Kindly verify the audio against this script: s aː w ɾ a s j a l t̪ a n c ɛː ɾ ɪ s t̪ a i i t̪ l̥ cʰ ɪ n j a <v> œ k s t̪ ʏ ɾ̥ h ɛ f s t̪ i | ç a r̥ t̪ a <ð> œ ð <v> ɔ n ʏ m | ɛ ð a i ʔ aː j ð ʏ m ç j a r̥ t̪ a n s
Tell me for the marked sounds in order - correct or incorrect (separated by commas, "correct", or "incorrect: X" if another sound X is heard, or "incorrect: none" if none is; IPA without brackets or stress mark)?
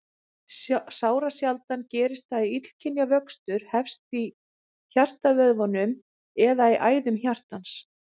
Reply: correct, incorrect: v, correct